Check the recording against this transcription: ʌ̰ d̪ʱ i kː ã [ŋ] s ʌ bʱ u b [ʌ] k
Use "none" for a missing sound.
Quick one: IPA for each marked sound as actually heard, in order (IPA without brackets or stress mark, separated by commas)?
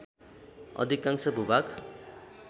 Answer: ŋ, a